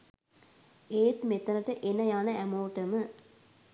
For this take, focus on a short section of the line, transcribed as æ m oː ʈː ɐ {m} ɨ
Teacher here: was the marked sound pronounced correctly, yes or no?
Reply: yes